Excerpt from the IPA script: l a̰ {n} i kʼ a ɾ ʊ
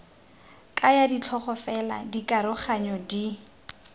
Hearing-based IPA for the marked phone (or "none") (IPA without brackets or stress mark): d